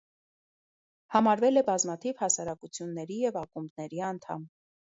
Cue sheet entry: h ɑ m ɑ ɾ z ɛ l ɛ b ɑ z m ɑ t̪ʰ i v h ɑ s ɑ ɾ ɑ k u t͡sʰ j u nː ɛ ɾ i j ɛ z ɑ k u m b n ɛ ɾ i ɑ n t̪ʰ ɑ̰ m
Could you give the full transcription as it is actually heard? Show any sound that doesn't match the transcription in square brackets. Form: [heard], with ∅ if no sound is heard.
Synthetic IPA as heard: h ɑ m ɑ ɾ [v] ɛ l ɛ b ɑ z m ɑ t̪ʰ i v h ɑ s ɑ ɾ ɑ k u t͡sʰ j u nː ɛ ɾ i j ɛ [v] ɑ k u m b n ɛ ɾ i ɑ n t̪ʰ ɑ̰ m